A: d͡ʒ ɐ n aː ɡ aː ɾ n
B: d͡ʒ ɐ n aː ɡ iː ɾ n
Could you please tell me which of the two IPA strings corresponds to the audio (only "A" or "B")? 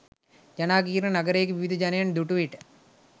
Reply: B